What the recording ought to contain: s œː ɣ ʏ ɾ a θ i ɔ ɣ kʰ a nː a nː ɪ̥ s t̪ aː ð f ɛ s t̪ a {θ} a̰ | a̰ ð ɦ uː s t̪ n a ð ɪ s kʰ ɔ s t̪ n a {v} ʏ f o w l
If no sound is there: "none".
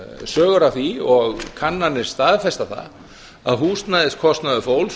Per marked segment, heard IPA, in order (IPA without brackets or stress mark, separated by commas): θ, ð